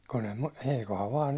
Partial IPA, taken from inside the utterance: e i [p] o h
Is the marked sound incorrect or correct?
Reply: incorrect